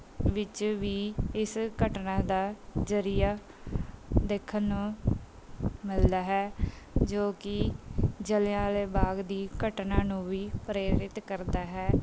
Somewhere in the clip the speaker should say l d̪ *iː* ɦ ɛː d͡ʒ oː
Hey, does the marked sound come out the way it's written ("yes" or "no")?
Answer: no